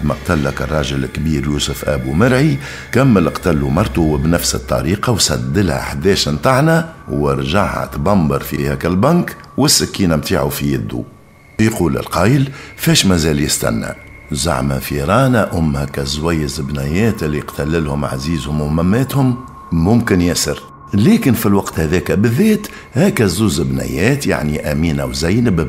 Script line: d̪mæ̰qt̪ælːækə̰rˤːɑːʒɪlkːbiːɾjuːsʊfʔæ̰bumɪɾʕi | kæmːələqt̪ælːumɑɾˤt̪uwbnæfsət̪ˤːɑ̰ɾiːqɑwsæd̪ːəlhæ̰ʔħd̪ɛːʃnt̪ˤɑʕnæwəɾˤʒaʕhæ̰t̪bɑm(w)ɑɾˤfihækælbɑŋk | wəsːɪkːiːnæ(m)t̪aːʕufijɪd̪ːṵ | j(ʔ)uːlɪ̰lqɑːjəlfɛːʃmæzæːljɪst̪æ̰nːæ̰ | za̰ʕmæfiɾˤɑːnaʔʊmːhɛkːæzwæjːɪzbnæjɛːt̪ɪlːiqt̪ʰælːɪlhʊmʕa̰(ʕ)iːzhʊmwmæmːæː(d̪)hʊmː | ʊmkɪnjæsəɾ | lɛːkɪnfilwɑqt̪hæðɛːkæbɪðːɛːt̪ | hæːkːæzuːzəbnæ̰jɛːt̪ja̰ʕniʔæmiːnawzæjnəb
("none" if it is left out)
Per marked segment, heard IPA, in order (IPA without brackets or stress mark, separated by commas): b, m, q, z, t̪